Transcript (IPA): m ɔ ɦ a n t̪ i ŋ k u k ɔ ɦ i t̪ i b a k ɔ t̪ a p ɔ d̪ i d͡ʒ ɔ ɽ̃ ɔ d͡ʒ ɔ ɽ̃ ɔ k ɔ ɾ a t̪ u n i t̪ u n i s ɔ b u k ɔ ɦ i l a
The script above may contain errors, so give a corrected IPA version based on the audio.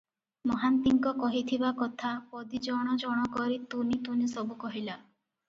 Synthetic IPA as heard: m ɔ ɦ a n t̪ i ŋ k ɔ k ɔ ɦ i t̪ʰ i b a k ɔ t̪ʰ a p ɔ d̪ i d͡ʒ ɔ ɽ̃ ɔ d͡ʒ ɔ ɽ̃ ɔ k ɔ ɾ i t̪ u n i t̪ u n i s ɔ b u k ɔ ɦ i l a